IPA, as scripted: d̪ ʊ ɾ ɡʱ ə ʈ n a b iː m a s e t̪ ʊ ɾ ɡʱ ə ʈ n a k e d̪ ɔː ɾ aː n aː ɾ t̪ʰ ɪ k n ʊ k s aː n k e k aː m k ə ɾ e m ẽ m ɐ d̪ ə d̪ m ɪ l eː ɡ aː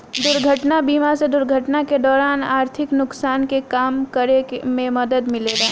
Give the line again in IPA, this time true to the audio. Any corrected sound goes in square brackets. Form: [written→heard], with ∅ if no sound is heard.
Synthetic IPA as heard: d̪ ʊ ɾ ɡʱ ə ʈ n a b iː m a s e [t̪→d̪] ʊ ɾ ɡʱ ə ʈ n a k e d̪ ɔː ɾ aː n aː ɾ t̪ʰ ɪ k n ʊ k s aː n k e k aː m k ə ɾ e m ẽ m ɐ d̪ ə d̪ m ɪ l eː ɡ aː